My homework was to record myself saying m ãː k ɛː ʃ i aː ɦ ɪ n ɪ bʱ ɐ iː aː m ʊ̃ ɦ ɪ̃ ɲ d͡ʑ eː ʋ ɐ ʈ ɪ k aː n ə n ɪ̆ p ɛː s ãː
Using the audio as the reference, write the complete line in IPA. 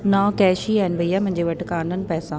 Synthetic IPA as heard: n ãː k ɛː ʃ i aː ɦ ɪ n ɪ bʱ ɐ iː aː m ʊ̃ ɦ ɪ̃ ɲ d͡ʑ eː ʋ ɐ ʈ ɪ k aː n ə n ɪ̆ p ɛː s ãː